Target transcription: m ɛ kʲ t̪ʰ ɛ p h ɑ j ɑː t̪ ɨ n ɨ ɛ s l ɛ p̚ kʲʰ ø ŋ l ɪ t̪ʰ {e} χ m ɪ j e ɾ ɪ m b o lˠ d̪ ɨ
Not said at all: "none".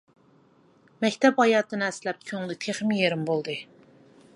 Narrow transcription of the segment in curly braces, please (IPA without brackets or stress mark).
e